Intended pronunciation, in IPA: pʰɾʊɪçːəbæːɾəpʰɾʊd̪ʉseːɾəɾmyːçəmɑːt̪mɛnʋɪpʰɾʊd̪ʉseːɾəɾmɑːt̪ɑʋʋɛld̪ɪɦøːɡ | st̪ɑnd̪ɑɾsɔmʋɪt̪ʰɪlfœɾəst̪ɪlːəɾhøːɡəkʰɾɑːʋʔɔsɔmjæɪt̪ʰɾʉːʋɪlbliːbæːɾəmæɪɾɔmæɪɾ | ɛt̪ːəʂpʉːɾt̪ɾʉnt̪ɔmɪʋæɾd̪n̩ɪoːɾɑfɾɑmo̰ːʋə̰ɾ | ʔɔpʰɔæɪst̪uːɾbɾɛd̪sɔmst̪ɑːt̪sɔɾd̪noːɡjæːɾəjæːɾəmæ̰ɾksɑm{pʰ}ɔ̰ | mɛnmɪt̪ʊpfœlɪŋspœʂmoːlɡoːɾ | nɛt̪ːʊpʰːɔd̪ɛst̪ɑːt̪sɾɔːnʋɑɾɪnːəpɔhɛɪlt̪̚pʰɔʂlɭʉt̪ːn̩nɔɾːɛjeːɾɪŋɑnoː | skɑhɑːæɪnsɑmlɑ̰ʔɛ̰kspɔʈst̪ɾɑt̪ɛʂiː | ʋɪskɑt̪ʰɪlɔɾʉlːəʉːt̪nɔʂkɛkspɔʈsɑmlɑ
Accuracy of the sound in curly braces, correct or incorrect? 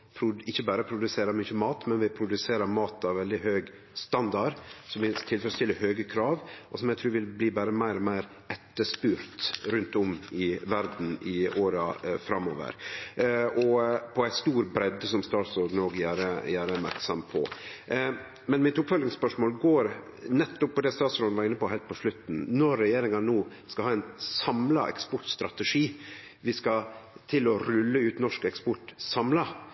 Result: correct